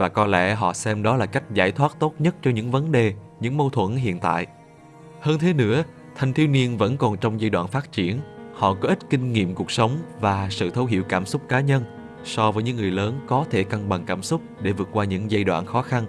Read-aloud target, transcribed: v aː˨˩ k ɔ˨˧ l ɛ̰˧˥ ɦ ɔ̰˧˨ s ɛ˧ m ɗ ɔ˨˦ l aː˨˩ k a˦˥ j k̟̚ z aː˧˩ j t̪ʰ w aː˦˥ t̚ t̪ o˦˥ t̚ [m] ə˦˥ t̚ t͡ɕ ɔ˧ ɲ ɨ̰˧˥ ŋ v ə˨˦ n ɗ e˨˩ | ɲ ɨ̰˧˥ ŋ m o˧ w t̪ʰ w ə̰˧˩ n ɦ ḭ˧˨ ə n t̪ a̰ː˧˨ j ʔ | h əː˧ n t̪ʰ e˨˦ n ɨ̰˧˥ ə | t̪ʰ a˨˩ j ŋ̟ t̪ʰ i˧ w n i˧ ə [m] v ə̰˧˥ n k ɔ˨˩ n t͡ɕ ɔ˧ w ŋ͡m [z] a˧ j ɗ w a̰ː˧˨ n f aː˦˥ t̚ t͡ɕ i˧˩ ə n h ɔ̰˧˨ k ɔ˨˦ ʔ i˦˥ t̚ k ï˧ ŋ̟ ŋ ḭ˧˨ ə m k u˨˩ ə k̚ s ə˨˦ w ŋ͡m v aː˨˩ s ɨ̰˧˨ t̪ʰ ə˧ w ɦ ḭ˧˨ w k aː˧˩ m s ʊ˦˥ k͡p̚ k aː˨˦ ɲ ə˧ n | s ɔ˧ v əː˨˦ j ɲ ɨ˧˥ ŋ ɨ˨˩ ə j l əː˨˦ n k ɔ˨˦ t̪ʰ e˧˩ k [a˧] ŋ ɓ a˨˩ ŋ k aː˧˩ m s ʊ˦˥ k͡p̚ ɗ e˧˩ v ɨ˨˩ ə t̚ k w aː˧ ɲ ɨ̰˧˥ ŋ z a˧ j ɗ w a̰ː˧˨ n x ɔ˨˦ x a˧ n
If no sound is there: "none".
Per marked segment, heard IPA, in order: ɲ, n, z, a˧

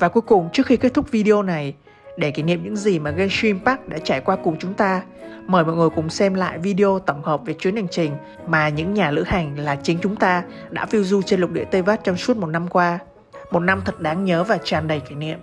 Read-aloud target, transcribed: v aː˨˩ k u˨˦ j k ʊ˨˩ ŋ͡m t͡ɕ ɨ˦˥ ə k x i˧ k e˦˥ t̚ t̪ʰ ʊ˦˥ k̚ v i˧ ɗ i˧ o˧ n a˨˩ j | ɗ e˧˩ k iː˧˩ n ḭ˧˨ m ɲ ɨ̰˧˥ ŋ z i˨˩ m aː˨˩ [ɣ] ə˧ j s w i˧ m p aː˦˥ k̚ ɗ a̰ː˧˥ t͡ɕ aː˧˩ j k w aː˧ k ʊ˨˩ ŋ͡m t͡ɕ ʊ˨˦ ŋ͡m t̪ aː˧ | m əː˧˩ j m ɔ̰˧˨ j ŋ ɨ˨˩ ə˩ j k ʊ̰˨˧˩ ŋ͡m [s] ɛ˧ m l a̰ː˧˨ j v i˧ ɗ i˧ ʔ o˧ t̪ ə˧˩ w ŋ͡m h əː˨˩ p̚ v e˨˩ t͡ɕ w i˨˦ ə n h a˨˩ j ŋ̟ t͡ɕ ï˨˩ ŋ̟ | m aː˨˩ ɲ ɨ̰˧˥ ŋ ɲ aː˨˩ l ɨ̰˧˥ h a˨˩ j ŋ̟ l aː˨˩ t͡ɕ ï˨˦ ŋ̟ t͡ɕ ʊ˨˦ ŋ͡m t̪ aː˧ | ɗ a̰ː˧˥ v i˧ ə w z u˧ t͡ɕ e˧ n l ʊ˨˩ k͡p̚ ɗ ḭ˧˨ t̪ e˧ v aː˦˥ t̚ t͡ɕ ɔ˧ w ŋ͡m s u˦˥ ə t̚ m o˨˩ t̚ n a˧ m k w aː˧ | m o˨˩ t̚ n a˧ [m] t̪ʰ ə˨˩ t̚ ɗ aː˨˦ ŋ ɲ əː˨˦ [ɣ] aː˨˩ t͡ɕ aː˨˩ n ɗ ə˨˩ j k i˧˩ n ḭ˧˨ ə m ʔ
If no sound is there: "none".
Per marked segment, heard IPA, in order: ɣ, s, m, v

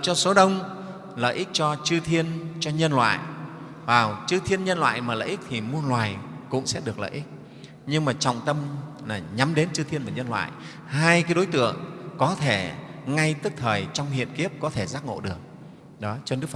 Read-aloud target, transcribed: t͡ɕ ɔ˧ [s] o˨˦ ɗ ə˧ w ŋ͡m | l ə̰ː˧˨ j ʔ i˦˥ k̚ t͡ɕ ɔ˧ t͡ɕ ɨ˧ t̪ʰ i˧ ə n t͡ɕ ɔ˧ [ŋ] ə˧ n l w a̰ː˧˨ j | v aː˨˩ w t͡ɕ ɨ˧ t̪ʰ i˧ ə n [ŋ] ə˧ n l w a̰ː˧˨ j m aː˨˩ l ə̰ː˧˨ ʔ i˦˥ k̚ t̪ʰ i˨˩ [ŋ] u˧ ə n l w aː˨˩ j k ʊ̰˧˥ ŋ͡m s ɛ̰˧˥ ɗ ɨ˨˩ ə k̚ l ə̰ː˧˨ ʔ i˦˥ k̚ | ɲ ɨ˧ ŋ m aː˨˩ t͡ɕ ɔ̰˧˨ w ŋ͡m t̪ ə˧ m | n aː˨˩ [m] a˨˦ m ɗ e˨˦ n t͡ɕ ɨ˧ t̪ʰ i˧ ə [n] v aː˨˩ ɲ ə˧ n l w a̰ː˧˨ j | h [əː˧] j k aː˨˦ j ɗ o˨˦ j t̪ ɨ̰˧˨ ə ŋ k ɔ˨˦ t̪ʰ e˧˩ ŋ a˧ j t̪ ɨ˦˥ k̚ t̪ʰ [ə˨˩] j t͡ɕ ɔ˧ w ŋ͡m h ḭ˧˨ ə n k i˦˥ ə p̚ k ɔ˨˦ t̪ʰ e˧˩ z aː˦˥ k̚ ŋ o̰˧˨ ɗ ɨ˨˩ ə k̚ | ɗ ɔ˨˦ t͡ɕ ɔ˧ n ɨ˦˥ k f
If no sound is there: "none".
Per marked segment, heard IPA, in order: s, ɲ, ɲ, m, ɲ, n, aː˧, əː˨˩

